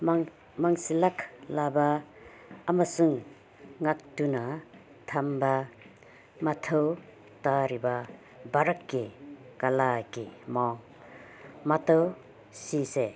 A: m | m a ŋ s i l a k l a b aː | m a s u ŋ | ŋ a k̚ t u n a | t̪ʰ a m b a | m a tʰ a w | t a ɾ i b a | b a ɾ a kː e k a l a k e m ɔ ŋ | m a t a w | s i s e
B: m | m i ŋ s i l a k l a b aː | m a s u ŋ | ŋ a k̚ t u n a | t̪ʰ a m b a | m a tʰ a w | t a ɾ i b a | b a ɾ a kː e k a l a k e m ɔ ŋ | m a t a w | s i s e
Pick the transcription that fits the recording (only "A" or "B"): A